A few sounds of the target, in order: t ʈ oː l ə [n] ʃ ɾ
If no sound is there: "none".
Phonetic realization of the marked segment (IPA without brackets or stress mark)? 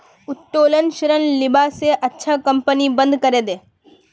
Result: n